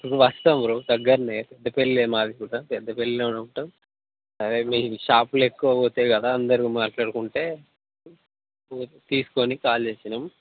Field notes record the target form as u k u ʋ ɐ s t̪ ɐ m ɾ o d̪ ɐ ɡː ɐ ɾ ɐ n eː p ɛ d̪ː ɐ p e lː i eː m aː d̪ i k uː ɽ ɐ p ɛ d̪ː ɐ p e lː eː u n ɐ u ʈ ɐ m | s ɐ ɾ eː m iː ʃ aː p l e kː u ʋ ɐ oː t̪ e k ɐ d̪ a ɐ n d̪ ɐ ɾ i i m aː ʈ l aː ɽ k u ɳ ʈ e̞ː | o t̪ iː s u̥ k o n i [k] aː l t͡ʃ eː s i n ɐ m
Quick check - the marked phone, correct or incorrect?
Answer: correct